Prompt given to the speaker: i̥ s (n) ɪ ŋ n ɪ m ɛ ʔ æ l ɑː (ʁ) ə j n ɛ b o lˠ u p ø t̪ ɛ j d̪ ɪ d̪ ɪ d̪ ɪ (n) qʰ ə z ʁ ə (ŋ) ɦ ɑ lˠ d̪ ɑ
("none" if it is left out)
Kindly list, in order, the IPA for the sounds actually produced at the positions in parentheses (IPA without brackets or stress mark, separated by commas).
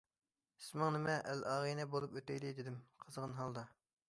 m, ʁ, m, n